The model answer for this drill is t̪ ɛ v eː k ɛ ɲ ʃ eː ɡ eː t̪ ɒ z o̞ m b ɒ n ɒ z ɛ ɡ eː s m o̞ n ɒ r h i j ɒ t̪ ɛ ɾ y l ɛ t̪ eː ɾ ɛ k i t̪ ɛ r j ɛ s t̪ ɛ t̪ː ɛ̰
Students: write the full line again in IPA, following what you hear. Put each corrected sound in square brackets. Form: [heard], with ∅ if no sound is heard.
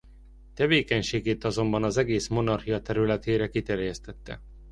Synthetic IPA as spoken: t̪ ɛ v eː k ɛ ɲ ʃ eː ɡ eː t̪ ɒ z o̞ m b ɒ n ɒ z ɛ ɡ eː s m o̞ n ɒ r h i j ɒ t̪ ɛ ɾ y l ɛ t̪ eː ɾ ɛ k i t̪ ɛ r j ɛ s t̪ ɛ t̪ː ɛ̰